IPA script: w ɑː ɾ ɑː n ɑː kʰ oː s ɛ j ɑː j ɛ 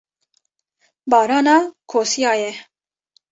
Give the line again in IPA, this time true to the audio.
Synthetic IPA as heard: b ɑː ɾ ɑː n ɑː kʰ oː s i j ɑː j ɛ